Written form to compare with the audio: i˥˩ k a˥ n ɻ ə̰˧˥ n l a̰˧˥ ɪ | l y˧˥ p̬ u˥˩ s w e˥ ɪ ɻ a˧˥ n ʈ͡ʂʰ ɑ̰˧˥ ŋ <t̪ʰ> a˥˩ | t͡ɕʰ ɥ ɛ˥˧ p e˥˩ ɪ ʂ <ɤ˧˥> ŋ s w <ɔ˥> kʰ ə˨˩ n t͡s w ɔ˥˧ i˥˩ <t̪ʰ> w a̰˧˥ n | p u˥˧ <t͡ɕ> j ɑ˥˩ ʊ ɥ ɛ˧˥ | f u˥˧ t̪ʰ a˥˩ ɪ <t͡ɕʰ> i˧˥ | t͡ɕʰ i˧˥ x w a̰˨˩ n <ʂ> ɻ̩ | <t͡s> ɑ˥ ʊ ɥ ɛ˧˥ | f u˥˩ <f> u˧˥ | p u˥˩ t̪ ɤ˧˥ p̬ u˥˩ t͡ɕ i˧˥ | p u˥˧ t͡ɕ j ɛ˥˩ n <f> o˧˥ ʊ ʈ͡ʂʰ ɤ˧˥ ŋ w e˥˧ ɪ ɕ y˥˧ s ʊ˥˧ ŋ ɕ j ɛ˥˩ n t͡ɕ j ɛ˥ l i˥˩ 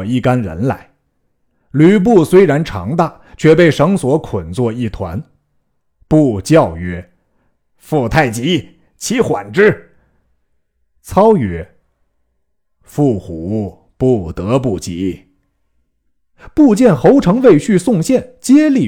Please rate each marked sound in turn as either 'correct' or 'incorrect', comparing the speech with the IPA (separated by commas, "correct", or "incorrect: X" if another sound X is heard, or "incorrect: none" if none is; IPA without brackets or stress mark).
incorrect: t̪, correct, incorrect: ɔ˧˥, correct, correct, incorrect: t͡ɕ, incorrect: ʈ͡ʂ, incorrect: t͡sʰ, incorrect: x, incorrect: x